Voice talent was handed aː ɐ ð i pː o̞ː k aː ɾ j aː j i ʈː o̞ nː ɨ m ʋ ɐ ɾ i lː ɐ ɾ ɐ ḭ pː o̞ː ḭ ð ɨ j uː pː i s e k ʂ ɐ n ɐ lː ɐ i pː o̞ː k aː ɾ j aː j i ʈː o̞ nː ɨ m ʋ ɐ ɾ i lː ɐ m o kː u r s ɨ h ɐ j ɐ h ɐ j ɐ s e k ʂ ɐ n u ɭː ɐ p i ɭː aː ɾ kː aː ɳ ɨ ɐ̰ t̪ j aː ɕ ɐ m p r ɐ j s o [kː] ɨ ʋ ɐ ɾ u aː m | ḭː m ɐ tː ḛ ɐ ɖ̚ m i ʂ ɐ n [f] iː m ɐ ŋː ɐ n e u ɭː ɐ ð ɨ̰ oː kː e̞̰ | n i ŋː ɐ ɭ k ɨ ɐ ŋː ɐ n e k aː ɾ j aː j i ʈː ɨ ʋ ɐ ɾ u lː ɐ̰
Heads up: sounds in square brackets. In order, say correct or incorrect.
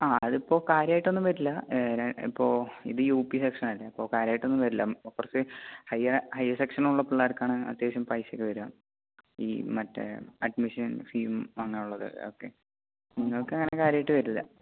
correct, correct

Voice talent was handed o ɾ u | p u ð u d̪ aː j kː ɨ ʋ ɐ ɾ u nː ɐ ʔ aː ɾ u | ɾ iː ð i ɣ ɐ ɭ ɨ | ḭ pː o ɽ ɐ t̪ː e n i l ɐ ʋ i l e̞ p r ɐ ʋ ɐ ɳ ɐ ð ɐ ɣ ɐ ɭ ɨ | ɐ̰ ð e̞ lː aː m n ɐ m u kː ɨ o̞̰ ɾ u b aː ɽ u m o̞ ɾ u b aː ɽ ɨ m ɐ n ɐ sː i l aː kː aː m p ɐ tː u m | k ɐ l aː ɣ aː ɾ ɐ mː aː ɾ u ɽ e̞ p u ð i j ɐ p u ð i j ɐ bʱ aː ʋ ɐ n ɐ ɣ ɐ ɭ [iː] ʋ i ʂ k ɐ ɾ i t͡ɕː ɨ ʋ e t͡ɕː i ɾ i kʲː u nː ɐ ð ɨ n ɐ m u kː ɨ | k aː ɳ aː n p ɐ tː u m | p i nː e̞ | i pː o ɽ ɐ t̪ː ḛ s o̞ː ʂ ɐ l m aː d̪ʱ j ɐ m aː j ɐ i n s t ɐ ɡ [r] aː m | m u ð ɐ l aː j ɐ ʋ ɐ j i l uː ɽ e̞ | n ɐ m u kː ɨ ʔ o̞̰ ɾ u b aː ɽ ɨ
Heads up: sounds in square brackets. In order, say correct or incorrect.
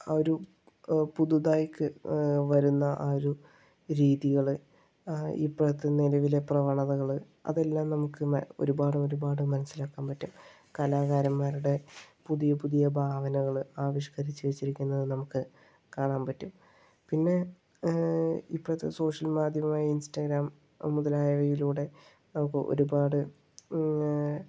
incorrect: aː, incorrect: ɾ

